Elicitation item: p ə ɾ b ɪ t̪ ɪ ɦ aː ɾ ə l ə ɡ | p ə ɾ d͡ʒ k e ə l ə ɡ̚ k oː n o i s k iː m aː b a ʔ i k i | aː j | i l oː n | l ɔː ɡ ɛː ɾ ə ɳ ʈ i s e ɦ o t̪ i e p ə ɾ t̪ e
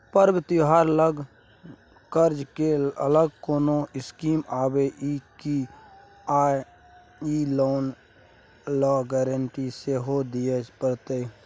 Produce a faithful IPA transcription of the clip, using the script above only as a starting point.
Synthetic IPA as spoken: p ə ɾ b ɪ t̪ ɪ ɦ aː ɾ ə l ə ɡ | k ə ɾ d͡ʒ k e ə l ə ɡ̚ k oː n o ɪ s k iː m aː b e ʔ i k i | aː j | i l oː n | l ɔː ɡ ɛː ɾ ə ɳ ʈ i s e ɦ o d̪ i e p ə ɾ t̪ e